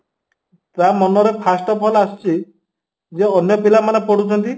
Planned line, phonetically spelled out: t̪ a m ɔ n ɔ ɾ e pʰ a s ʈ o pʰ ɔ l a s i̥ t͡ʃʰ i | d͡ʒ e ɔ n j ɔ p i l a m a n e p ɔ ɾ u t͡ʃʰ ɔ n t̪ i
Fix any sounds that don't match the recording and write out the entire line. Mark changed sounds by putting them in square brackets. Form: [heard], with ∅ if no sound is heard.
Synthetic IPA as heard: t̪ a m ɔ n ɔ ɾ e pʰ a s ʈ [ɔ] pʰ ɔ l a s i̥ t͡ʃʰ i | d͡ʒ e ɔ n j ɔ p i l a m a n e p ɔ [ɽ] u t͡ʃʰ ɔ n t̪ i